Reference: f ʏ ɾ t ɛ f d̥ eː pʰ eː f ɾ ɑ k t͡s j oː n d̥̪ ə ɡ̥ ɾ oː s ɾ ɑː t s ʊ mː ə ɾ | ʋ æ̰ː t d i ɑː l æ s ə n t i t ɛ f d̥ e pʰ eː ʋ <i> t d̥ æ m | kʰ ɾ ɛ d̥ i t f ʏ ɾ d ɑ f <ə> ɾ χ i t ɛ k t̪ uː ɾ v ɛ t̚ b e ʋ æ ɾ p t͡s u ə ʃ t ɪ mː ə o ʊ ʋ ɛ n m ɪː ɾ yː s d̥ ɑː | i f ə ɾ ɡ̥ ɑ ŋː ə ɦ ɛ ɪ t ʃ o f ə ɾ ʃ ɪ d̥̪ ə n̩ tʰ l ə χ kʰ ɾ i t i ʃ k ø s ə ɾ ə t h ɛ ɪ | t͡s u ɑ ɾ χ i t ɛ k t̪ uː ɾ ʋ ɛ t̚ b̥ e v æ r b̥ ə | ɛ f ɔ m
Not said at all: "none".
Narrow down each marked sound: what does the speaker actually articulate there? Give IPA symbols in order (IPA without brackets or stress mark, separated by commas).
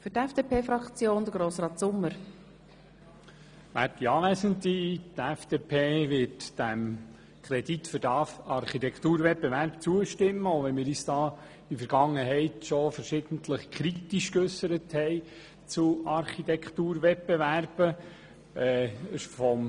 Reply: ɪ, ɑ